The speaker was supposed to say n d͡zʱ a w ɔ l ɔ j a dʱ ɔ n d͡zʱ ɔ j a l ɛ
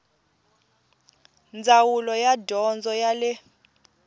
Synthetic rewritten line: n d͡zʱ a w u l ɔ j a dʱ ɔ n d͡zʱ ɔ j a l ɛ

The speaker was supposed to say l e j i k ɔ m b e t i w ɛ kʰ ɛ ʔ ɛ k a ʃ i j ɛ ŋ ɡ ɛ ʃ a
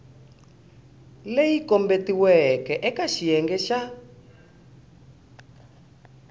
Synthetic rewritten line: l e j i k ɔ m b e t i w ɛ k ɛ ʔ ɛ k a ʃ i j ɛ ŋ ɡ ɛ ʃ a

